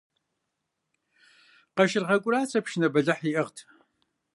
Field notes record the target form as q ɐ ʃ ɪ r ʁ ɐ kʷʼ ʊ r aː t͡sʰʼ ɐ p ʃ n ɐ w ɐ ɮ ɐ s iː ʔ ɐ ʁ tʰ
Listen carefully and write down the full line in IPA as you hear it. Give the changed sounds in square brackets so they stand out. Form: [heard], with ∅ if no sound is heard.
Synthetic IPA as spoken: q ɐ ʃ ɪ r ʁ ɐ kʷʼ ʊ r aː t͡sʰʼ ɐ p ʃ n ɐ [b] ɐ ɮ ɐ [ħ] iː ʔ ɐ ʁ tʰ